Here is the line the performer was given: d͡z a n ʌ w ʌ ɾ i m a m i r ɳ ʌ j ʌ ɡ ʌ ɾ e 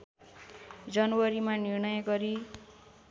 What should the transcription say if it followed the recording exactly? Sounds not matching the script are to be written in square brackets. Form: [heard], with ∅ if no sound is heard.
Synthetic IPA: d͡z [ʌ] n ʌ w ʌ ɾ i m a [n] i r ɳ ʌ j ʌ ɡ ʌ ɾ [i]